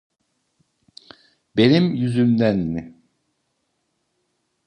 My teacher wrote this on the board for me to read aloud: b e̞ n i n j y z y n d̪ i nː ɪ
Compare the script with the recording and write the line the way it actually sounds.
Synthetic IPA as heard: b e̞ n i m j y z y m d̪ æ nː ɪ